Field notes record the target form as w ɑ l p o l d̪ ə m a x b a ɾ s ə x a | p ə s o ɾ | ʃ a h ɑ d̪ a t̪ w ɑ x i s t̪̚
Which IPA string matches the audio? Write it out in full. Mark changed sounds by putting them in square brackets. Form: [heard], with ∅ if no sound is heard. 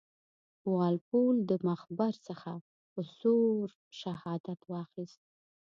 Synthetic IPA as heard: w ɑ l p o l d̪ ə m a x b a ɾ s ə x a | p ə s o ɾ | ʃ a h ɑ d̪ a t̪ w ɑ x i s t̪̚